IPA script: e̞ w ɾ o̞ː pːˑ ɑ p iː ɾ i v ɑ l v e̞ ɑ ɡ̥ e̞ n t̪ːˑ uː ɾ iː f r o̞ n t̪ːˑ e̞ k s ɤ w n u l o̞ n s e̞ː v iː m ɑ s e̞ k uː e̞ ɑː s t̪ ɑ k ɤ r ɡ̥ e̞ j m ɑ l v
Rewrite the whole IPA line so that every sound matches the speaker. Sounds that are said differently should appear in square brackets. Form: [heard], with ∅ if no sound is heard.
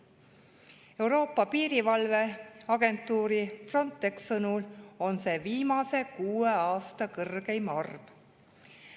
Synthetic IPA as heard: e̞ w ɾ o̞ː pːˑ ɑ p iː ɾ i v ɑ l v e̞ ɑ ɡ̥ e̞ n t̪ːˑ uː ɾ [i] f r o̞ n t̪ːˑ e̞ k s ɤ [∅] n u l o̞ n s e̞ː v iː m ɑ s e̞ k uː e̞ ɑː s t̪ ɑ k ɤ r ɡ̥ e̞ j m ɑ [r] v